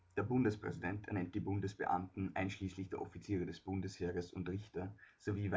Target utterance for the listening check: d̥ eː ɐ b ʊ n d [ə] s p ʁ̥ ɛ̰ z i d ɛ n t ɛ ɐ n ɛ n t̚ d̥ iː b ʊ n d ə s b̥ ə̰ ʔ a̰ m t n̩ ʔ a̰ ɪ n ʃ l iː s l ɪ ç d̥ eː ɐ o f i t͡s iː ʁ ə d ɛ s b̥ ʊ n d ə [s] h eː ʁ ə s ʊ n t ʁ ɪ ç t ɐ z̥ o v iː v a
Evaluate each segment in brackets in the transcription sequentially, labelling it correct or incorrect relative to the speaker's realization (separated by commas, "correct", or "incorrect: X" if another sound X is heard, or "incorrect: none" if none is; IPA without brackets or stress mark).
correct, correct